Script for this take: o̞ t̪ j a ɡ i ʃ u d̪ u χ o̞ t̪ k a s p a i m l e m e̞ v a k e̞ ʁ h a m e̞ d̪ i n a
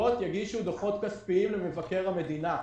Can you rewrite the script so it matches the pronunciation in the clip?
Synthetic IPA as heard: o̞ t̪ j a ɡ i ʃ u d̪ o χ o̞ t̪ k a s p i i m l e m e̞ v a k e̞ ʁ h a m e̞ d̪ i n a